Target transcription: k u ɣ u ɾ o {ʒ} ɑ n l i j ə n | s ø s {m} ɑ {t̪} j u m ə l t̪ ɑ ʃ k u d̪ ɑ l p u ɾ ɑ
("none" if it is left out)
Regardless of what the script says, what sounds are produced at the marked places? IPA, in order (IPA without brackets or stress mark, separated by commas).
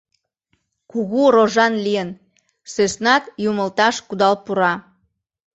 ʒ, n, t̪